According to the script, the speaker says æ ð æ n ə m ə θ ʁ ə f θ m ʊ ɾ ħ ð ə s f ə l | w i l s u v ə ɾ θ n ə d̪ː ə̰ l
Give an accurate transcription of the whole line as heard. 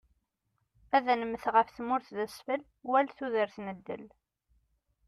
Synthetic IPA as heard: æ ð æ n ə m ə θ ʁ ə f θ m ʊ ɾ θ ð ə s f ə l | w æ l θ u ð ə ɾ θ n ə d̪ː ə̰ l